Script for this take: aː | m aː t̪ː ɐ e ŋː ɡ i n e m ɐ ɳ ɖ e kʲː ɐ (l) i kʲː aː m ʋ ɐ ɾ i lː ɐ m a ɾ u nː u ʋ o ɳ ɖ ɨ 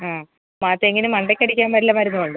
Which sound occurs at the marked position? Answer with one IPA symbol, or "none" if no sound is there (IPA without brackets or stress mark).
ɽ